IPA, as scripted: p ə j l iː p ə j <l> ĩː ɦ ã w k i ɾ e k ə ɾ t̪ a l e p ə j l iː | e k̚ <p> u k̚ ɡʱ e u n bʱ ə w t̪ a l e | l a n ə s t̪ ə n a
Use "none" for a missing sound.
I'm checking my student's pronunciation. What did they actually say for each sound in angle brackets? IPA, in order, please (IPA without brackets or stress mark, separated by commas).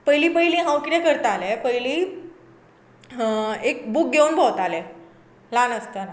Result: l, b